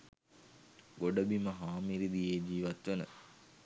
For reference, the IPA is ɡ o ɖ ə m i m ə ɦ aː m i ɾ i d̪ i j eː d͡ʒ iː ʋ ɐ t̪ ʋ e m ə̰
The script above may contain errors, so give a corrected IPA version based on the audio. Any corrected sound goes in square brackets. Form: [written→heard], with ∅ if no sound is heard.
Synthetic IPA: ɡ o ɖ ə [m→b] i m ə ɦ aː m i ɾ i d̪ i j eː d͡ʒ iː ʋ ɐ t̪ ʋ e [m→n] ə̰